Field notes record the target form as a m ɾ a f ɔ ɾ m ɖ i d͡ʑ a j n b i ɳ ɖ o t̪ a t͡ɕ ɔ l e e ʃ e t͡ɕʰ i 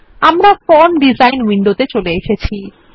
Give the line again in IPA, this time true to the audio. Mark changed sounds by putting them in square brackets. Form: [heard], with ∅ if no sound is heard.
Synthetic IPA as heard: a m ɾ a f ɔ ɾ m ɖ i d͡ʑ a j n [w] i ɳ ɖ o t̪ [e] t͡ɕ [o] l e e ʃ e t͡ɕʰ i